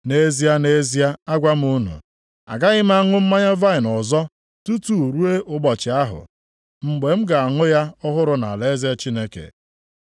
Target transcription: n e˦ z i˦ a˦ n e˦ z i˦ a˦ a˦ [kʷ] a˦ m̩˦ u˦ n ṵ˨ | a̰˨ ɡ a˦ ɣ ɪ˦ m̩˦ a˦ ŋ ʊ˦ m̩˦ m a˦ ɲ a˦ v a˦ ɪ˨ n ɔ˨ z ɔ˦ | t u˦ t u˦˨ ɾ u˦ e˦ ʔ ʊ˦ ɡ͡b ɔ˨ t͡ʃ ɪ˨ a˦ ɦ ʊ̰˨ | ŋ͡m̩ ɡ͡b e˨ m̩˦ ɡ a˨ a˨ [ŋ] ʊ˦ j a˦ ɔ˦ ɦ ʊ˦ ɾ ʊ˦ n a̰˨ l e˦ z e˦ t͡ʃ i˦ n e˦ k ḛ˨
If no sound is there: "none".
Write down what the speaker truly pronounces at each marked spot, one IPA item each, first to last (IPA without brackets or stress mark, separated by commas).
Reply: ɡʷ, ŋ